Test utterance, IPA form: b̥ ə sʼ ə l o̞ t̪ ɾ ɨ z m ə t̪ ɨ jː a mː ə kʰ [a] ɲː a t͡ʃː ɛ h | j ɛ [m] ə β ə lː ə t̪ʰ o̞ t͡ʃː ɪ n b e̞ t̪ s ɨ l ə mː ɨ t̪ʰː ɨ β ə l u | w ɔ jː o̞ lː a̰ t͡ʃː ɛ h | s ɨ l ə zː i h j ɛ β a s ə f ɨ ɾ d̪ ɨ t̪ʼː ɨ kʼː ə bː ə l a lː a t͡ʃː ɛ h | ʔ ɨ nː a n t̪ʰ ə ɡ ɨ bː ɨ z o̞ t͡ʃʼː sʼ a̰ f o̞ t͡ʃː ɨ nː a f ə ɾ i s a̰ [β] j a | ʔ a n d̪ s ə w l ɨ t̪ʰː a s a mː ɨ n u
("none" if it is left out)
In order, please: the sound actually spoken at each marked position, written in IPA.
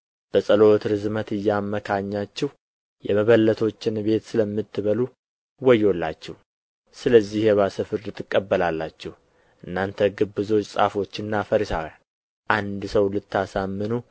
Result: a, m, w

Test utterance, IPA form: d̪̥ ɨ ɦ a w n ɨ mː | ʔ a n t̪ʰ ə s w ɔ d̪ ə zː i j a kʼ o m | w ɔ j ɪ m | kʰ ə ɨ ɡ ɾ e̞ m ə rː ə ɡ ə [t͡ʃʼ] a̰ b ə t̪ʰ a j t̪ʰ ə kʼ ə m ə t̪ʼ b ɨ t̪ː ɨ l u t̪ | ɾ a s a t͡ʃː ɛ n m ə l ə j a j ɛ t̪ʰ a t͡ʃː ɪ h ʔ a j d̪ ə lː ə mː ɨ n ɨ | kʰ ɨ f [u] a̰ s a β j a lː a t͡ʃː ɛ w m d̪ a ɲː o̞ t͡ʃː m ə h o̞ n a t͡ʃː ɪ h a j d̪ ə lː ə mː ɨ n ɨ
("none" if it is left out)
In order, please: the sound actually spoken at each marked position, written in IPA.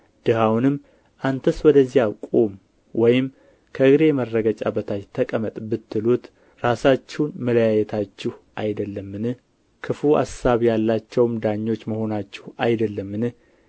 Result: t͡ʃʼ, u

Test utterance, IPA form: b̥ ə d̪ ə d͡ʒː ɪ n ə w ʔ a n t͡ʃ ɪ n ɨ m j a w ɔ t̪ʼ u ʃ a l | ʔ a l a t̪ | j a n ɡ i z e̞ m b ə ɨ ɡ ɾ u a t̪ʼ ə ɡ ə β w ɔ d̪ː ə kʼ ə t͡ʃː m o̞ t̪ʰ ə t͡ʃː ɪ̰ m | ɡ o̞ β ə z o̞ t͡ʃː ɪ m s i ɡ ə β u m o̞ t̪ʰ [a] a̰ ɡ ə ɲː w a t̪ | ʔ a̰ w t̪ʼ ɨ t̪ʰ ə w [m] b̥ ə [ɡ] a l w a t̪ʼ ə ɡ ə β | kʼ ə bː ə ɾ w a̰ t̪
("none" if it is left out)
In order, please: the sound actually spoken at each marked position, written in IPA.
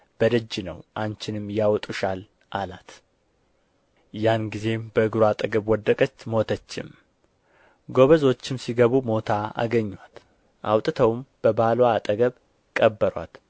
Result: a, m, b

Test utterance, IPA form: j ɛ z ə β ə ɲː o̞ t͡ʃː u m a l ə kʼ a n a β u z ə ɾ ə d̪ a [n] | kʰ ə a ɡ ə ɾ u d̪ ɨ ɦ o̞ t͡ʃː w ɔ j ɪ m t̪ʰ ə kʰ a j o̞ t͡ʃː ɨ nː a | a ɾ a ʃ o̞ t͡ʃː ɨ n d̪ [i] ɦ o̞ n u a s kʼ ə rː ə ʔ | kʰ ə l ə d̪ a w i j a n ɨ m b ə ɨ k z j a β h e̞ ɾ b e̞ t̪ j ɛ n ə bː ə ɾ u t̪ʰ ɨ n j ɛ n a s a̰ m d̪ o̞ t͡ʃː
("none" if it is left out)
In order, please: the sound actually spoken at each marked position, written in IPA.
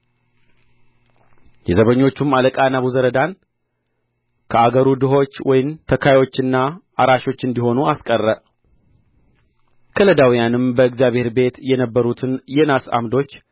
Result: n, i

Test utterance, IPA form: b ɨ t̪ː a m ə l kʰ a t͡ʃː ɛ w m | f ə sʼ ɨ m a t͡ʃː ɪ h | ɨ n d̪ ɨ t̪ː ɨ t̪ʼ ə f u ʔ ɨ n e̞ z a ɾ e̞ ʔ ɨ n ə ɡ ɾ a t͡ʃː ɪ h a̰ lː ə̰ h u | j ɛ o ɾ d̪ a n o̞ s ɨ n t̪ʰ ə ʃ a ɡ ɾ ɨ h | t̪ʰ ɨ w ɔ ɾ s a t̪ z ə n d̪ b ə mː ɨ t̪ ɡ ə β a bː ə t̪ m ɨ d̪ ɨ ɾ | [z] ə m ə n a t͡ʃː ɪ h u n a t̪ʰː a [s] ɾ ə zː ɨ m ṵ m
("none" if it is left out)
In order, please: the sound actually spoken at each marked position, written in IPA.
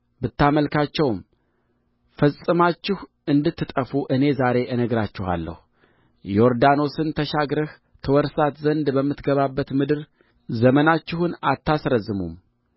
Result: z, s

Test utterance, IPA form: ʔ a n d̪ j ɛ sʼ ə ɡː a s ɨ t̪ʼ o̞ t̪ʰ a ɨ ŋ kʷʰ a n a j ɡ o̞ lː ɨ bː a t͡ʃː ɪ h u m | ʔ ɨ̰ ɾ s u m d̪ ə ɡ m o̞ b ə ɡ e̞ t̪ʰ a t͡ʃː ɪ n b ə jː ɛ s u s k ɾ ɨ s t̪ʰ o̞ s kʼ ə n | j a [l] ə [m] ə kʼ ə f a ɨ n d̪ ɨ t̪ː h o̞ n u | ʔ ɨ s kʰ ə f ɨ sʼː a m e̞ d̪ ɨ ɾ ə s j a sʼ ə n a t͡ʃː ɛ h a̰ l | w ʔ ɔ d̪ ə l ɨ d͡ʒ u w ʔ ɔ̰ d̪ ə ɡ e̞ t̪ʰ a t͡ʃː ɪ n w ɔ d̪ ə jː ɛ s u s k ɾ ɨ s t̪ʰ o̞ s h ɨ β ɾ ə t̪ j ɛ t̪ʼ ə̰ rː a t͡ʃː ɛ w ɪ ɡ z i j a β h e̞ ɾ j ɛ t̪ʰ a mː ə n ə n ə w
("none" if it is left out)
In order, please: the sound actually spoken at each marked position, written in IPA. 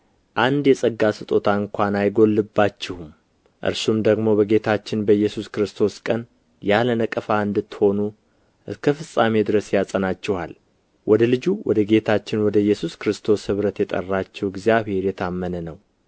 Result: l, n

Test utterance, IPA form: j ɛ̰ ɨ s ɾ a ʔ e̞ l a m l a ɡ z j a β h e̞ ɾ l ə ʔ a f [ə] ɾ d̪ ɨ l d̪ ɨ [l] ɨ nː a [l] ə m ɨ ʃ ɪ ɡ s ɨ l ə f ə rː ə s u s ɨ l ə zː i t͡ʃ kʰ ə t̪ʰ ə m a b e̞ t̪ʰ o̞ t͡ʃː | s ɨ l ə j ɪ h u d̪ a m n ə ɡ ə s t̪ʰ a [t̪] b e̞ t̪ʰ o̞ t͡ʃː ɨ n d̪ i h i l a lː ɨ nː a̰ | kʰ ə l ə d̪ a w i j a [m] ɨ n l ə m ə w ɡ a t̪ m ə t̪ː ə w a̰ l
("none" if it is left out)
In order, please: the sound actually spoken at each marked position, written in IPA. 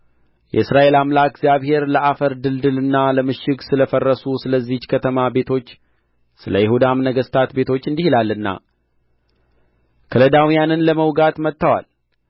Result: ə, l, l, t̪, n

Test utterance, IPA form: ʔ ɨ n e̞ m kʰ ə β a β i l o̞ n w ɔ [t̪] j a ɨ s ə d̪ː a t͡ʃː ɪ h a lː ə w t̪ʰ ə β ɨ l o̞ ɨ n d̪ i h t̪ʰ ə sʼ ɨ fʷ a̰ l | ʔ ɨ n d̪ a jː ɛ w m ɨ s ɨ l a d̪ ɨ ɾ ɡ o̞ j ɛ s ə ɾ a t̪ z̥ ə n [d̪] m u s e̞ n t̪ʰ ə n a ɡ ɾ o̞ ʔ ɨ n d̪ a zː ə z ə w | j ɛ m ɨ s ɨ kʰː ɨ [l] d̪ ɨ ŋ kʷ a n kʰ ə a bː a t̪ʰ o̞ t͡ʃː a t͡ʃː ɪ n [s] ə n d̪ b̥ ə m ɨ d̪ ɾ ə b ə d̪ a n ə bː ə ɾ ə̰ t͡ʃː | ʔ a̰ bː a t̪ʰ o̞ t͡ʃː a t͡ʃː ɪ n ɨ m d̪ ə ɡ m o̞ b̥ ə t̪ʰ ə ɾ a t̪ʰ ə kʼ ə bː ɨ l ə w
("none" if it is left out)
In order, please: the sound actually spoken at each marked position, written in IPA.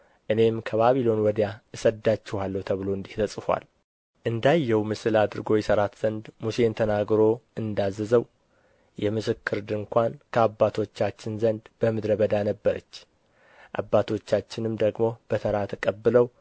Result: d̪, d̪, ɾ, z

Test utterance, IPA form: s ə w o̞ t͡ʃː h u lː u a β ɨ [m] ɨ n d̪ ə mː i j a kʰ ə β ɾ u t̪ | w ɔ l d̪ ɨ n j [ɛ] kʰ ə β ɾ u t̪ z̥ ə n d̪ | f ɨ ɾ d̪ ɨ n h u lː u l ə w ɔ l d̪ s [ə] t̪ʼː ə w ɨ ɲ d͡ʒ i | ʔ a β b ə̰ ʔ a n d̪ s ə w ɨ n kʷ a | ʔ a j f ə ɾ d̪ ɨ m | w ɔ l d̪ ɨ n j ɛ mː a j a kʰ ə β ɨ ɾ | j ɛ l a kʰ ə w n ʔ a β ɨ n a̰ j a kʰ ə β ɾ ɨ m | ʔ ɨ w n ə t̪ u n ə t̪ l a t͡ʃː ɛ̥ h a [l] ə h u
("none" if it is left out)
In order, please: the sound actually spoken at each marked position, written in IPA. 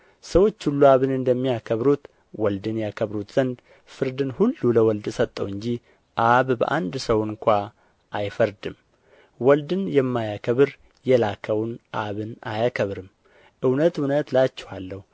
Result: n, a, ə, lː

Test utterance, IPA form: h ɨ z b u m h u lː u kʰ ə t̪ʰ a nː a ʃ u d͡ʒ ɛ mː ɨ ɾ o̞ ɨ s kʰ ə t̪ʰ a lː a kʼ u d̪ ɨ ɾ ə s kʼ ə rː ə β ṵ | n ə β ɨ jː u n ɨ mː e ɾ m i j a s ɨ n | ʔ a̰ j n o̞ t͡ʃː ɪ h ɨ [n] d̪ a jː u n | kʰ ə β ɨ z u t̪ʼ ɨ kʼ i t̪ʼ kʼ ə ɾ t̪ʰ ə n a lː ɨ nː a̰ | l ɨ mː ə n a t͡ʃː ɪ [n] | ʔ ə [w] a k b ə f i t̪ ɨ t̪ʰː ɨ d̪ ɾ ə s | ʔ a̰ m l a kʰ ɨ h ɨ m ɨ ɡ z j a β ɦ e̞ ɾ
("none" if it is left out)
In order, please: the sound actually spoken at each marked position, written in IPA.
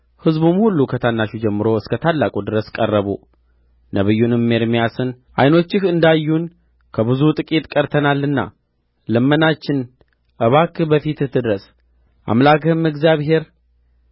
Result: n, n, β

